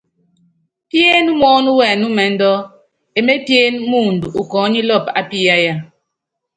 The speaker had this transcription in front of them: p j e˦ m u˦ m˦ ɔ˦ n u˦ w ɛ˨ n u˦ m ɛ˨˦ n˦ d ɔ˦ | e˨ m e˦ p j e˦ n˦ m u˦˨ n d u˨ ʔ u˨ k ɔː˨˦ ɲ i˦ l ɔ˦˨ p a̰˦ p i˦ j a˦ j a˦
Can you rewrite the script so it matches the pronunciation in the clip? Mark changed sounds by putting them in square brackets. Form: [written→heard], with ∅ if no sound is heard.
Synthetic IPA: p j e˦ [m→n] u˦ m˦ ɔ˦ n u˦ w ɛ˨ n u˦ m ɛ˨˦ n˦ d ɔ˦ | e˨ m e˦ p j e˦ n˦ m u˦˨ n d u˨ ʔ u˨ k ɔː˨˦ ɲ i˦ l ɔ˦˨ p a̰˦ p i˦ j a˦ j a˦